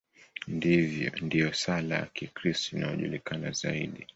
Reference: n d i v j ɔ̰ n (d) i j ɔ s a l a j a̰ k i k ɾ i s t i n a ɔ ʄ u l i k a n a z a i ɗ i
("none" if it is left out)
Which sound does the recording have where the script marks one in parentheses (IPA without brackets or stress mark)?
d